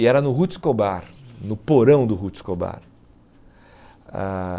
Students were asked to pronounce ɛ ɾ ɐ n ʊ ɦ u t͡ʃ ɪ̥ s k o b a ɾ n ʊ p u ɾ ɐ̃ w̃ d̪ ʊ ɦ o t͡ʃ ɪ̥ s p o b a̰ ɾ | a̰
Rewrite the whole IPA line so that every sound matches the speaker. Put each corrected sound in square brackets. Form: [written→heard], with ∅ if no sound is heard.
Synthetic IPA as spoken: ɛ ɾ ɐ n ʊ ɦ u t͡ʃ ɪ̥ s k o b a ɾ n ʊ p [u→o] ɾ ɐ̃ w̃ d̪ ʊ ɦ [o→u] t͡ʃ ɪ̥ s [p→k] o b a̰ ɾ | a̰